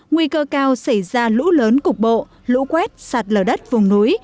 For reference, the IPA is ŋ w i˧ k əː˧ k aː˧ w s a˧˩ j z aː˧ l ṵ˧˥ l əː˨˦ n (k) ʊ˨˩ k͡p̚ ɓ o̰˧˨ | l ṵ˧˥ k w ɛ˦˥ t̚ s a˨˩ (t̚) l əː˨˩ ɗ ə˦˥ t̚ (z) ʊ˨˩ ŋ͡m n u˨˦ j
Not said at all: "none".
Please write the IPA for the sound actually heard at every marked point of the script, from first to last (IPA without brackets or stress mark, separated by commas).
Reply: k, t̚, v